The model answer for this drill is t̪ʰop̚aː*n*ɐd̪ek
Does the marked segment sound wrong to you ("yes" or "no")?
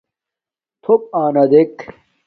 no